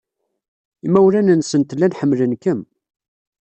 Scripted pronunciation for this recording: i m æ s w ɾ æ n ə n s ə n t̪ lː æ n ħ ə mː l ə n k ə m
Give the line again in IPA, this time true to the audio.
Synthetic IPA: i m æ w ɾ æ n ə n s ə n t̪ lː æ n ħ ə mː l ə n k ə m